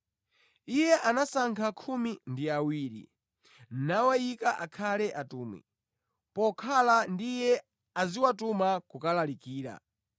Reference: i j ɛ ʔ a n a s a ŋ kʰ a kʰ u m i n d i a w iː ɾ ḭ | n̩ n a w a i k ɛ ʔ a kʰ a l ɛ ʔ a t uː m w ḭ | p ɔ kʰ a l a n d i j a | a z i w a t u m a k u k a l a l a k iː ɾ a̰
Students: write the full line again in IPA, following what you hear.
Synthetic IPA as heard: i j ɛ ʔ a n a s a ŋ kʰ a kʰ u m i n d i a w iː ɾ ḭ | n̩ n a w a i k a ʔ a kʰ a l ɛ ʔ a t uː m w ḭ | p ɔ kʰ a l a n d i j ɛ | a z i w a t u m a k u k a l a l i k iː ɾ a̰